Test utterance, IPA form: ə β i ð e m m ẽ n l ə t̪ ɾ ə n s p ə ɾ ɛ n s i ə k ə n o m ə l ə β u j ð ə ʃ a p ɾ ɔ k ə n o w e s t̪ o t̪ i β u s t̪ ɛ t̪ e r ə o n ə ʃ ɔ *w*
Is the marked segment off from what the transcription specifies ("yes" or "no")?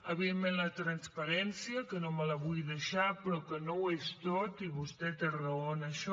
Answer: yes